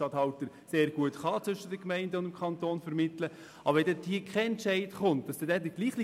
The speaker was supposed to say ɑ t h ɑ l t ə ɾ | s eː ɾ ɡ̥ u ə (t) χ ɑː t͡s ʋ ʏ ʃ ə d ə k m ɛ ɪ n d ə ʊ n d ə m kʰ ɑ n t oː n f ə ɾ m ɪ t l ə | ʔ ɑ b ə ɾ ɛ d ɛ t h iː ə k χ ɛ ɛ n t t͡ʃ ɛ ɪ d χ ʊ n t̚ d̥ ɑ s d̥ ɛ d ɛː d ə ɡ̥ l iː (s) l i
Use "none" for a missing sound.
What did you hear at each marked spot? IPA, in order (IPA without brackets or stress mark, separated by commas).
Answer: t, χ